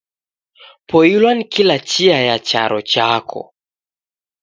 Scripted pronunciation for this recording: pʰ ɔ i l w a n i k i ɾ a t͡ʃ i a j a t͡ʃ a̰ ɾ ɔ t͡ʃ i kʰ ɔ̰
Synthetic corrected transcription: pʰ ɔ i l w a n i k i l a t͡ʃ i a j a t͡ʃ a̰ ɾ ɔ t͡ʃ a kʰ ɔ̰